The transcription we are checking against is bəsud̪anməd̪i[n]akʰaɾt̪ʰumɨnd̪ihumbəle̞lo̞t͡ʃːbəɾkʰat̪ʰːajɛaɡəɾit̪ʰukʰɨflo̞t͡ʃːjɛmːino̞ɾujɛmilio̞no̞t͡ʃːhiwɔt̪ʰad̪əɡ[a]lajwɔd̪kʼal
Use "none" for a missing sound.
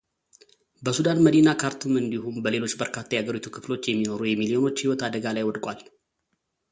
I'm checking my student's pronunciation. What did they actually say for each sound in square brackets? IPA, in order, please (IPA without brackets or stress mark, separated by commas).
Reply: n, a